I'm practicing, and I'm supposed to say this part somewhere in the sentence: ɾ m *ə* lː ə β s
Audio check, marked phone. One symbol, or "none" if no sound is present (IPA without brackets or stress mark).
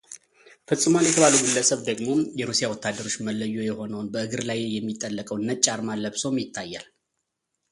a